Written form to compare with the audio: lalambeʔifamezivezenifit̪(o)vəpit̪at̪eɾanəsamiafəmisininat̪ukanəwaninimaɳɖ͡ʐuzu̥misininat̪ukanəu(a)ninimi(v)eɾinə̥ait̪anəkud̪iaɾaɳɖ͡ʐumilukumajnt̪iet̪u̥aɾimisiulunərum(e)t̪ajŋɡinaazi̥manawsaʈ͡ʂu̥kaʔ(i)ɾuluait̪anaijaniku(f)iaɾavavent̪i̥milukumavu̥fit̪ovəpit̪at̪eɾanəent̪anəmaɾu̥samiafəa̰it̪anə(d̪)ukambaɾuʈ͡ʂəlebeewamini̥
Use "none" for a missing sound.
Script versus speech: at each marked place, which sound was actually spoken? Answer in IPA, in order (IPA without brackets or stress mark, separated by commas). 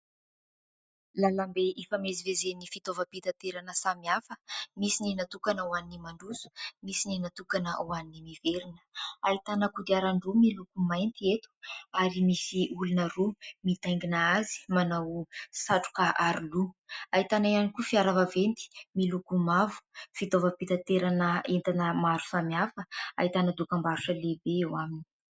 o, a, v, i, a, f, d̪